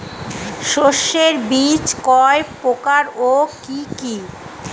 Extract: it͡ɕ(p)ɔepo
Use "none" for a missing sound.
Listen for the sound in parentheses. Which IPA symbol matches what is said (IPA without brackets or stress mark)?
k